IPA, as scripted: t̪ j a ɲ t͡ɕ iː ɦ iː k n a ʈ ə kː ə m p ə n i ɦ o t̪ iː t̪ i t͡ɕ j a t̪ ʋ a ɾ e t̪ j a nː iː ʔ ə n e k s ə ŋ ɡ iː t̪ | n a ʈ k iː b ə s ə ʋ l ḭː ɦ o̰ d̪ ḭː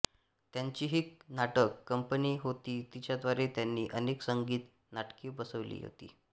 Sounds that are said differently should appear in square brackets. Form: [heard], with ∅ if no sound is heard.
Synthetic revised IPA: t̪ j a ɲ t͡ɕ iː ɦ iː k n a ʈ ə kː ə m p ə n i ɦ o t̪ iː t̪ i t͡ɕ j a [d̪] ʋ a ɾ e t̪ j a nː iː ʔ ə n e k s ə ŋ ɡ iː t̪ | n a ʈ k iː b ə s ə ʋ l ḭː ɦ o̰ [t̪] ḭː